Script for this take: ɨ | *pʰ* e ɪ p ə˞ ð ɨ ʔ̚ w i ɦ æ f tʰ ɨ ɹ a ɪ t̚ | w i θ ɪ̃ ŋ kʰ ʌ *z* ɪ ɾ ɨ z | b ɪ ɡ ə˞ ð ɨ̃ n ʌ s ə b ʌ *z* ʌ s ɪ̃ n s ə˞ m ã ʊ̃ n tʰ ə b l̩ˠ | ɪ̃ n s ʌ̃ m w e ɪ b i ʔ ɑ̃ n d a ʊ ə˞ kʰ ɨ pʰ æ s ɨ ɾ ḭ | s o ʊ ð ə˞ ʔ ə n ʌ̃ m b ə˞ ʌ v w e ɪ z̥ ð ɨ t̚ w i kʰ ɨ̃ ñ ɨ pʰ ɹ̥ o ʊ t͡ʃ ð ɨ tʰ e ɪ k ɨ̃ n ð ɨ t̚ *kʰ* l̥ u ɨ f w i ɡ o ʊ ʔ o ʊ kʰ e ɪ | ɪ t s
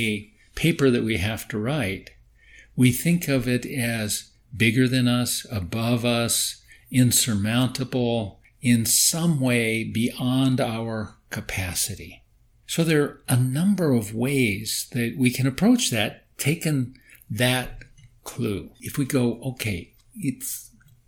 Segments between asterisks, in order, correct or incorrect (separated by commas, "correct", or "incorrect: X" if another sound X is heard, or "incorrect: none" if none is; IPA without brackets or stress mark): correct, incorrect: v, incorrect: v, correct